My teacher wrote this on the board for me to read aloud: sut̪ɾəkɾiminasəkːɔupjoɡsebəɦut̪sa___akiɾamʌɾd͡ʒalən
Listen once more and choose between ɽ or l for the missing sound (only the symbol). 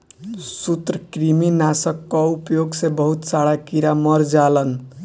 ɽ